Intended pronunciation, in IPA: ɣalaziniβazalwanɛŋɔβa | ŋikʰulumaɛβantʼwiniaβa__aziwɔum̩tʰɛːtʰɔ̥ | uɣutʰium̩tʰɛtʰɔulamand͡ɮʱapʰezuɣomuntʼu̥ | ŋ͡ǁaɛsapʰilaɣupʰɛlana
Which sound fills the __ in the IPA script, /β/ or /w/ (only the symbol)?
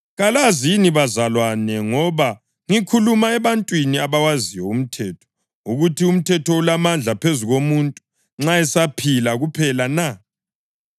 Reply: w